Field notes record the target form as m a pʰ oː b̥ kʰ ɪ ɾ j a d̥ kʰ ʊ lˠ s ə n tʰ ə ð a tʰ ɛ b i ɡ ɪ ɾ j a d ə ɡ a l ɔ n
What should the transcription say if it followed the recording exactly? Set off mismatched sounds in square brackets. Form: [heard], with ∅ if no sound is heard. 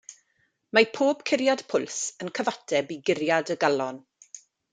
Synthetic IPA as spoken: m a pʰ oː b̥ kʰ ɪ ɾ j a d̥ [pʰ] ʊ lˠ s ə n [kʰ] ə [v] a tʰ ɛ b i ɡ ɪ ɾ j a d ə ɡ a l ɔ n